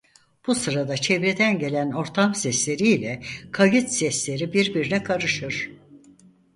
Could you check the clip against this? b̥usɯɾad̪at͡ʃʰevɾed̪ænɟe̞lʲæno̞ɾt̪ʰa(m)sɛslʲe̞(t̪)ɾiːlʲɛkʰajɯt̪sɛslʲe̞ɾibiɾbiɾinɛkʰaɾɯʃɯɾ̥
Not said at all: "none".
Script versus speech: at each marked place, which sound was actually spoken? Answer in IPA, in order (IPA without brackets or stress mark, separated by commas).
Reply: m, none